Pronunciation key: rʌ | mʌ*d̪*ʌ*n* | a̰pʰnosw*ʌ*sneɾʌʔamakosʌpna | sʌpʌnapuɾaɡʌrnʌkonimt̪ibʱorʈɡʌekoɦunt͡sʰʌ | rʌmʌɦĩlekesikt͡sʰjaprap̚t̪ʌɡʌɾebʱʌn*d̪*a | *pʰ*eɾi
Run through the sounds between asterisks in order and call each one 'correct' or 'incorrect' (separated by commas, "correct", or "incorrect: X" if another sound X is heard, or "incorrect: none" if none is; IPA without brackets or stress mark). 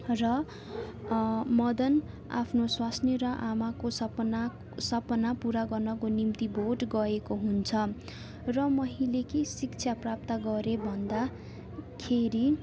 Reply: correct, correct, incorrect: a, correct, incorrect: kʰ